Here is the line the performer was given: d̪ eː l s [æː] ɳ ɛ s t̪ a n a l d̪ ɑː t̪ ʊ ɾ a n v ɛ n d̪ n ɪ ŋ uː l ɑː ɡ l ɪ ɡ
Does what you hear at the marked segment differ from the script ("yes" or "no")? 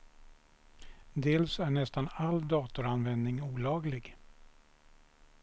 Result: yes